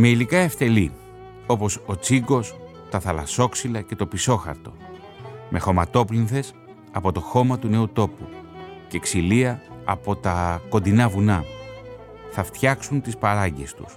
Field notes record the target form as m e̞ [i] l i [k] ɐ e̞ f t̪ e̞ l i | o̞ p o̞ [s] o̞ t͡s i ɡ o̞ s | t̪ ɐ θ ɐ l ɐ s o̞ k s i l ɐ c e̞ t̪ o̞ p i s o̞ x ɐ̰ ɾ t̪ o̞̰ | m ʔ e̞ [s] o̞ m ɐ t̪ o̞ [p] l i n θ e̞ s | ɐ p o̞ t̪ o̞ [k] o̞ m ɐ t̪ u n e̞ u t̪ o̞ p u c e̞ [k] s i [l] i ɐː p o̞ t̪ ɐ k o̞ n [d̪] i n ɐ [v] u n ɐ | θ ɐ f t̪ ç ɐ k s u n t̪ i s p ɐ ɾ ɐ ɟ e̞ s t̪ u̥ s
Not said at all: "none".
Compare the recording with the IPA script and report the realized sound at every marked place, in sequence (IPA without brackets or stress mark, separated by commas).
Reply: i, k, s, x, p, x, k, l, d̪, v